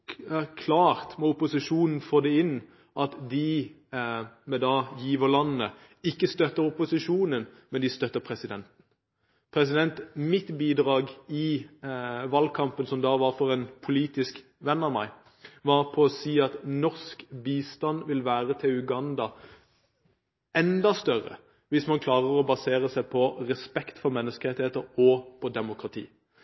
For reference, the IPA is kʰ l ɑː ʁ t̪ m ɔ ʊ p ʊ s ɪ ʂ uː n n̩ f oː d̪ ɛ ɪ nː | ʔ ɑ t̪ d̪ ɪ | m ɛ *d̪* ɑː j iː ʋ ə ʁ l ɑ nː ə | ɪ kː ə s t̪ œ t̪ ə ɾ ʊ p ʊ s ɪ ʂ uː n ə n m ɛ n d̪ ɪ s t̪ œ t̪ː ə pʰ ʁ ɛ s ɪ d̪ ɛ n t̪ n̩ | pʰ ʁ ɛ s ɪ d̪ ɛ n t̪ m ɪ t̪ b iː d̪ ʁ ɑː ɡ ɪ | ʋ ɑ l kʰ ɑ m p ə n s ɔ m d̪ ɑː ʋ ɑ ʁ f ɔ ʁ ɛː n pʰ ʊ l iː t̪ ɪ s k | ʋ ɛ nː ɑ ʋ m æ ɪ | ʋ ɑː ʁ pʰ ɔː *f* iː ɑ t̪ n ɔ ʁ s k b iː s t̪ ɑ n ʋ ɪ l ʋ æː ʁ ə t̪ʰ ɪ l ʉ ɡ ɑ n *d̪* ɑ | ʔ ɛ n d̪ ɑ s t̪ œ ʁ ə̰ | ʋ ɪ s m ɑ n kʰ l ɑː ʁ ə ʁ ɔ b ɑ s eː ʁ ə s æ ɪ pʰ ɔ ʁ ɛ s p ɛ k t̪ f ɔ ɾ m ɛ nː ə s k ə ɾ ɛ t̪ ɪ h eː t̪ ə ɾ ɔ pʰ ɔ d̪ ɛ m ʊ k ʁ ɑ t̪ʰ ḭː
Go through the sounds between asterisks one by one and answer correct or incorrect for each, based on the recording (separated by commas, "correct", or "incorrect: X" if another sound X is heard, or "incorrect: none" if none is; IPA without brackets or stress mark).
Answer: correct, incorrect: s, correct